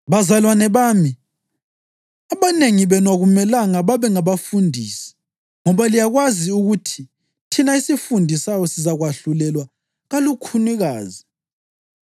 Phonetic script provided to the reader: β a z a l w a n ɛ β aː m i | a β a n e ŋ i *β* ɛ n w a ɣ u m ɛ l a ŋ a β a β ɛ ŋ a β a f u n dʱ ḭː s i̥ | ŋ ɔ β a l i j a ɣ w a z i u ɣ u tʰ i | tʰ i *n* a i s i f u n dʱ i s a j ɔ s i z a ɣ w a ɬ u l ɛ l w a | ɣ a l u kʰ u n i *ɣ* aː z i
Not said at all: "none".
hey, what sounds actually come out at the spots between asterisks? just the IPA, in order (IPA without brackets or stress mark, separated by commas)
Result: β, n, ɣ